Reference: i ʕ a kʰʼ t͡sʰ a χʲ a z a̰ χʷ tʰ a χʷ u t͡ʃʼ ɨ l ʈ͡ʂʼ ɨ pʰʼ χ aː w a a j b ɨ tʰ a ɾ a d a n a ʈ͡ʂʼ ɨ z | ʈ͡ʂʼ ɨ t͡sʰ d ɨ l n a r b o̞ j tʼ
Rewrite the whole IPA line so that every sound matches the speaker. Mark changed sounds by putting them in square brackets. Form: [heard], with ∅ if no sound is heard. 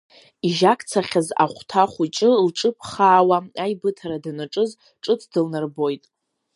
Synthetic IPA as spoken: i [ʒ] a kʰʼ t͡sʰ a χʲ a z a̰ χʷ tʰ a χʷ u t͡ʃʼ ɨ l ʈ͡ʂʼ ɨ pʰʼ χ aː w a a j b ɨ tʰ a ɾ a d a n a ʈ͡ʂʼ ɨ z | ʈ͡ʂʼ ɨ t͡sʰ d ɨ l n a r b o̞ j tʼ